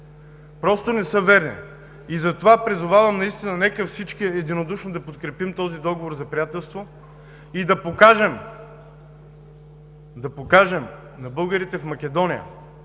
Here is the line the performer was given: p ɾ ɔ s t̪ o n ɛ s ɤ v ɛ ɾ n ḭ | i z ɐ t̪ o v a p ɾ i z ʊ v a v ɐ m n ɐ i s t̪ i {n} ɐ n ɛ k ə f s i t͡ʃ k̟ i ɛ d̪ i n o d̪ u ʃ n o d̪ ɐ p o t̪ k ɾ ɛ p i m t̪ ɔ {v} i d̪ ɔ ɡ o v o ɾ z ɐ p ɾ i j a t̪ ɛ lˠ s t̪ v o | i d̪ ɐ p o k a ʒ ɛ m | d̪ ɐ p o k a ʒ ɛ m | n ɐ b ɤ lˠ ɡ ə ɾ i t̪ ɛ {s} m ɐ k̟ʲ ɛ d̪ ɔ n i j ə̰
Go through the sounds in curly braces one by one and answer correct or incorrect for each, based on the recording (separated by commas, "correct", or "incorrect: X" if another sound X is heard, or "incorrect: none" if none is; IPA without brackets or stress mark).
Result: correct, incorrect: z, incorrect: f